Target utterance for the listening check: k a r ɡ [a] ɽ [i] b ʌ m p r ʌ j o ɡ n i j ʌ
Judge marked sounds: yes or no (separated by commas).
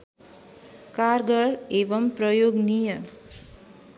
no, no